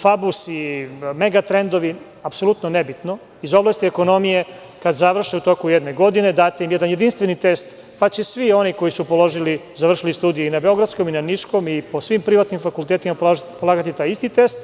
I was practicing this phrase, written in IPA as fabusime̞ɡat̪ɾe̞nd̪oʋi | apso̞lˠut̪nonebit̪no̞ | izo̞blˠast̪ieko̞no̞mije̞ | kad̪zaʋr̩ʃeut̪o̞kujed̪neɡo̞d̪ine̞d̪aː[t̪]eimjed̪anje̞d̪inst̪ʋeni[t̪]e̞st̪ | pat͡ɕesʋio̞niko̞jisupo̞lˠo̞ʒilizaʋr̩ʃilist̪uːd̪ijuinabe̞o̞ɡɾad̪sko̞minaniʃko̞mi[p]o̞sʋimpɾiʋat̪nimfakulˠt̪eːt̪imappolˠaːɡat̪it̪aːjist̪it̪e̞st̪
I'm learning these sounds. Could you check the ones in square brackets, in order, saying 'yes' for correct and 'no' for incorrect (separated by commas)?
yes, yes, yes